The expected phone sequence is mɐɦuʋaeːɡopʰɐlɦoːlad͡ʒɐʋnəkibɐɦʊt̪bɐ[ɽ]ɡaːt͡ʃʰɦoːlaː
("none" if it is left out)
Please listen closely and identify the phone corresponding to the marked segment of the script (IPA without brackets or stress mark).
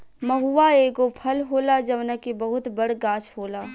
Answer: ɽ